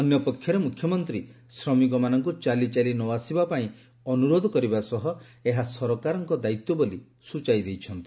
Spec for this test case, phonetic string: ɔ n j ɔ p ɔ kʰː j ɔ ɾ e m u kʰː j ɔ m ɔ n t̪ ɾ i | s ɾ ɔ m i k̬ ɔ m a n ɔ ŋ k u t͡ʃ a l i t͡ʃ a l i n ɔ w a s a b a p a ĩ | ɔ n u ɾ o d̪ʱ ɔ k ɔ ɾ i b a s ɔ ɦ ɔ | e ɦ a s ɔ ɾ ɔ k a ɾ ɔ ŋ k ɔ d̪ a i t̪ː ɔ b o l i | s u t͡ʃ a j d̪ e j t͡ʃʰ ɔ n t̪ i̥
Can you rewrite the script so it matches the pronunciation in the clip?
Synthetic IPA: ɔ n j ɔ p ɔ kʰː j ɔ ɾ e m u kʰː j ɔ m ɔ n t̪ ɾ i | s ɾ ɔ m i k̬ ɔ m a n ɔ ŋ k u t͡ʃ a l i t͡ʃ a l i n ɔ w a s i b a p a ĩ | ɔ n u ɾ o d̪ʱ ɔ k ɔ ɾ i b a s ɔ ɦ ɔ | e ɦ a s ɔ ɾ ɔ k a ɾ ɔ ŋ k ɔ d̪ a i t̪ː ɔ b o l i | s u t͡ʃ a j d̪ e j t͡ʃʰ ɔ n t̪ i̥

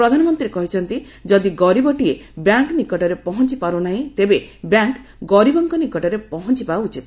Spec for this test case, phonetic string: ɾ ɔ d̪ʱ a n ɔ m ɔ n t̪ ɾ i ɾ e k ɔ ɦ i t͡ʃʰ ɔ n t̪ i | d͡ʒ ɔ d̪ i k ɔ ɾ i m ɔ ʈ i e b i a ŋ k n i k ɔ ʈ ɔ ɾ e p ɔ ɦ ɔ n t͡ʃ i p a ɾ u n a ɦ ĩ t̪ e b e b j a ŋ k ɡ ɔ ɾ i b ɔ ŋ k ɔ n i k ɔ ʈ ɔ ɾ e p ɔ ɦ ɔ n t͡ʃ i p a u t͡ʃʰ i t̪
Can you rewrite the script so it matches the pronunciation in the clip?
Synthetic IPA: ɾ ɔ d̪ʱ a n ɔ m ɔ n t̪ ɾ i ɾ e k ɔ ɦ i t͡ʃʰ ɔ n t̪ i | d͡ʒ ɔ d̪ i ɡ ɔ ɾ i b ɔ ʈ i e b j a ŋ k n i k ɔ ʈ ɔ ɾ e p ɔ ɦ ɔ n t͡ʃ i p a ɾ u n a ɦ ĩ t̪ e b e b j a ŋ k ɡ ɔ ɾ i b ɔ ŋ k ɔ n i k ɔ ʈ ɔ ɾ e p ɔ ɦ ɔ n t͡ʃ i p a u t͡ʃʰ i t̪

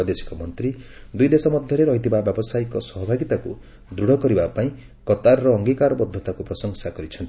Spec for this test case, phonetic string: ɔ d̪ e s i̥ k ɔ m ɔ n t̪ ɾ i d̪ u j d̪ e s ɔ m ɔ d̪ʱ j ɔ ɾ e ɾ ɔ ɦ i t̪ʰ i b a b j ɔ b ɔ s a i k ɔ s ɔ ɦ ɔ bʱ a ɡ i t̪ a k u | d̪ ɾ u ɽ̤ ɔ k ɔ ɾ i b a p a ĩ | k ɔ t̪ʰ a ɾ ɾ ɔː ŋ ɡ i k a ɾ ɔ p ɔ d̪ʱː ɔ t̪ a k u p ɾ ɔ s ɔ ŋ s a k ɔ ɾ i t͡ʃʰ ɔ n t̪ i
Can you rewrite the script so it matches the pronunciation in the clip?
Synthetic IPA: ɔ d̪ e s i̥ k ɔ m ɔ n t̪ ɾ i d̪ u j d̪ e s ɔ m ɔ d̪ʱ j ɔ ɾ e ɾ ɔ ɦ i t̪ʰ i b a b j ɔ b ɔ s a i k ɔ s ɔ ɦ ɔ bʱ a ɡ i t̪ a k u | d̪ ɾ u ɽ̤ ɔ k ɔ ɾ i b a p a ĩ | k ɔ t̪ a ɾ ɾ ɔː ŋ ɡ i k a ɾ ɔ b ɔ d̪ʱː ɔ t̪ a k u p ɾ ɔ s ɔ ŋ s a k ɔ ɾ i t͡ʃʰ ɔ n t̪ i

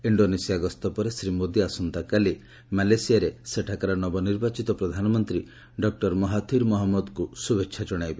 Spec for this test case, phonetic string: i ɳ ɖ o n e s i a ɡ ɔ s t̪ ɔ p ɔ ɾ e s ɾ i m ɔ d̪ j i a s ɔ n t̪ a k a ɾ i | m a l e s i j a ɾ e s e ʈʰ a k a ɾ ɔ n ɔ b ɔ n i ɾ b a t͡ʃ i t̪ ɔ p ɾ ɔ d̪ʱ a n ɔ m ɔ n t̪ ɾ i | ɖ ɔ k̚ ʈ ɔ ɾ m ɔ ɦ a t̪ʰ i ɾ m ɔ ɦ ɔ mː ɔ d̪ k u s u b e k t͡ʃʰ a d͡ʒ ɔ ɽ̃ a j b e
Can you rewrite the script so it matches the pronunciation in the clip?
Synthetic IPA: i ɳ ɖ o n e s i a ɡ ɔ s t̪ ɔ p ɔ ɾ e s ɾ i m o d̪ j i a s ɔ n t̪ a k a l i | m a l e s i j a ɾ e s e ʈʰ a k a ɾ ɔ n ɔ b ɔ n i ɾ b a t͡ʃ i t̪ ɔ p ɾ ɔ d̪ʱ a n ɔ m ɔ n t̪ ɾ i | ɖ ɔ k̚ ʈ ɔ ɾ m ɔ ɦ a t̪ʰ i ɾ m ɔ ɦ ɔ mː ɔ d̪ k u s u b e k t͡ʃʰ a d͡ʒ ɔ ɽ̃ a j b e

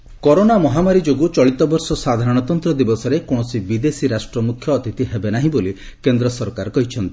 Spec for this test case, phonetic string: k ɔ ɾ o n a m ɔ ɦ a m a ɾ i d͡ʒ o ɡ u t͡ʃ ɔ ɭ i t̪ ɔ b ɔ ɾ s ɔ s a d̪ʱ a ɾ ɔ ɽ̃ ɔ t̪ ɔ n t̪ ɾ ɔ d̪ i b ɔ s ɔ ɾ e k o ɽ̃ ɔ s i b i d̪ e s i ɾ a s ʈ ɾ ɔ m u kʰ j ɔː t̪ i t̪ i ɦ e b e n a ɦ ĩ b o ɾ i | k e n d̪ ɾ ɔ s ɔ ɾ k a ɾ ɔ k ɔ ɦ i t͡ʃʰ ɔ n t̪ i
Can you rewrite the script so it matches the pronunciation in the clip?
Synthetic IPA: k ɔ ɾ o n a m ɔ ɦ a m a ɾ i d͡ʒ o ɡ u t͡ʃ ɔ ɭ i t̪ ɔ b ɔ ɾ s ɔ s a d̪ʱ a ɾ ɔ ɽ̃ ɔ t̪ ɔ n t̪ ɾ ɔ d̪ i b ɔ s ɔ ɾ e k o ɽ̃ ɔ s i b i d̪ e s i ɾ a s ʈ ɾ ɔ m u kʰ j ɔː t̪ i t̪ i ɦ e b e n a ɦ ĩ b o l i | k e n d̪ ɾ ɔ s ɔ ɾ k a ɾ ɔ k ɔ ɦ i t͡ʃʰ ɔ n t̪ i

